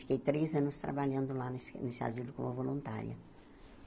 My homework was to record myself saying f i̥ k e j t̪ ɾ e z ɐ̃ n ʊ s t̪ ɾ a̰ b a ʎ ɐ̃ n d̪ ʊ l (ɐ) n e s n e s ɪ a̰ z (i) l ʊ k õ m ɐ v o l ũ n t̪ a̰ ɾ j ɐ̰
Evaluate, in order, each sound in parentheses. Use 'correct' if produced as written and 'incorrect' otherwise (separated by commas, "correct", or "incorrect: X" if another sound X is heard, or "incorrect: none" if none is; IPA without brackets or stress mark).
incorrect: a, correct